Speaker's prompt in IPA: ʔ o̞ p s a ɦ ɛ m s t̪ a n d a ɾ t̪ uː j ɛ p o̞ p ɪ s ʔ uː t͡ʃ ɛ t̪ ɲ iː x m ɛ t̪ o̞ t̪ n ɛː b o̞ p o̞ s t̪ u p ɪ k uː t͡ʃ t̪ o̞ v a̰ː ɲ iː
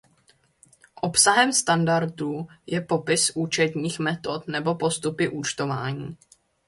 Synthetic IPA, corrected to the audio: ʔ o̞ p s a ɦ ɛ m s t̪ a n d a ɾ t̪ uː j ɛ p o̞ p ɪ s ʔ uː t͡ʃ ɛ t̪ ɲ iː x m ɛ t̪ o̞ t̪ n ɛ b o̞ p o̞ s t̪ u p ɪ ʔ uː t͡ʃ t̪ o̞ v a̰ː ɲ iː